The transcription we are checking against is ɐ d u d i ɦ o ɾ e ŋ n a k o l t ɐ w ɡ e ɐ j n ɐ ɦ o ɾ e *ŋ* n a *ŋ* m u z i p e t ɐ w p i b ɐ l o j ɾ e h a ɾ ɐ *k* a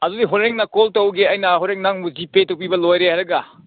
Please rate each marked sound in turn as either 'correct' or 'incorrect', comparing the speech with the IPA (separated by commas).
correct, correct, incorrect